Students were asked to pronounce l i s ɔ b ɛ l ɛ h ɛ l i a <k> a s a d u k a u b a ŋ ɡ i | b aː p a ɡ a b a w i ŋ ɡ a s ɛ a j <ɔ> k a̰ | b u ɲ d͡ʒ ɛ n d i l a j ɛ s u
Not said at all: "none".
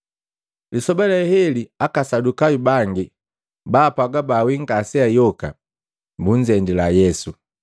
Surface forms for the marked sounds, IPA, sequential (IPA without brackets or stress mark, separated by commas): k, ɔ